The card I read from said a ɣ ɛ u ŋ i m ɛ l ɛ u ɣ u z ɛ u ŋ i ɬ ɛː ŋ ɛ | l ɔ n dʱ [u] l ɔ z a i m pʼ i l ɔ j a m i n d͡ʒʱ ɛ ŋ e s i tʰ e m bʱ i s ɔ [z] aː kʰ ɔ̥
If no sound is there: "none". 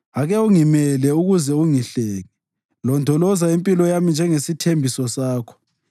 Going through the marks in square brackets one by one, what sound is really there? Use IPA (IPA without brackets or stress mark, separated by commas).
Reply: ɔ, s